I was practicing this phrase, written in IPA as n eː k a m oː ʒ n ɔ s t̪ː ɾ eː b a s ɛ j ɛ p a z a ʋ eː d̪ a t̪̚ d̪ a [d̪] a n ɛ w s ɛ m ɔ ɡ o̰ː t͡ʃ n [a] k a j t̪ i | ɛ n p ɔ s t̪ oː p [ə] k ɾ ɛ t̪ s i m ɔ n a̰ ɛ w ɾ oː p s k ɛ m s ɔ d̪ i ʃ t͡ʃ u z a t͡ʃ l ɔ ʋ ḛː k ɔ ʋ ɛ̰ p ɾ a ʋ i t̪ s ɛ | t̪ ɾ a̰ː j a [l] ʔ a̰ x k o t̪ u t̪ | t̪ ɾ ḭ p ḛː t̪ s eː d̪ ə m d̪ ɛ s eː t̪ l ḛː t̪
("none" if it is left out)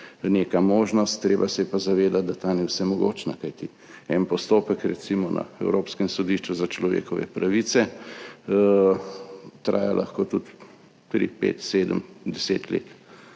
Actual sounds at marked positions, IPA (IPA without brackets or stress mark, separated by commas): t̪, a, ə, l